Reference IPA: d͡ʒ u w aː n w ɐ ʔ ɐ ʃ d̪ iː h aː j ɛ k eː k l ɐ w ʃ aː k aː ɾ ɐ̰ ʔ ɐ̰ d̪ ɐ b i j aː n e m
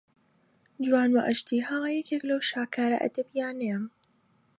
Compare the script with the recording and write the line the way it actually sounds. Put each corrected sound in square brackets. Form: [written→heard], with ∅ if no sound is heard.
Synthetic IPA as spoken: d͡ʒ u w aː n w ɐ ʔ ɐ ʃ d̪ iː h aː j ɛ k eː k l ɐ w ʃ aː k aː ɾ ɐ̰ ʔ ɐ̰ d̪ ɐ b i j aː n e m